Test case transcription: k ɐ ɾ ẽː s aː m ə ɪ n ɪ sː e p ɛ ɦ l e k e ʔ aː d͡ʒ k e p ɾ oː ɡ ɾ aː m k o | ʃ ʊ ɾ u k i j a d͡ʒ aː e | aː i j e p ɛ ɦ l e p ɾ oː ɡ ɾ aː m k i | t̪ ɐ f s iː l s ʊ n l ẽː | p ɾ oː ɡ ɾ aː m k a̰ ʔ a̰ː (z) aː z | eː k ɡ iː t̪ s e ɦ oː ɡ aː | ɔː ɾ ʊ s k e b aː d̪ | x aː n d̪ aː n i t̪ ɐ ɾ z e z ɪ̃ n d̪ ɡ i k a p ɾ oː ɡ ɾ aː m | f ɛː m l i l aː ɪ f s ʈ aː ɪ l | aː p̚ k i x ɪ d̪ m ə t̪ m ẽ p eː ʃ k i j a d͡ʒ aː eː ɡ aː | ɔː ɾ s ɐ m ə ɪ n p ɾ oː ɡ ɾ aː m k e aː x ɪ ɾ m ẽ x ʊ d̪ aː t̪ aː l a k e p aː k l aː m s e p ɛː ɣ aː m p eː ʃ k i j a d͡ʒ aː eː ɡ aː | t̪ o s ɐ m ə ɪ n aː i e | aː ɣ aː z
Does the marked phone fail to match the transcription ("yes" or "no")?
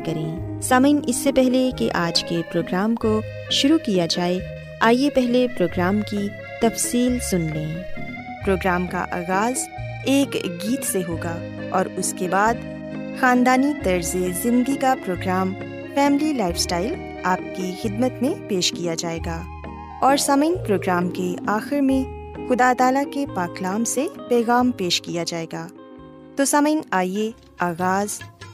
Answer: yes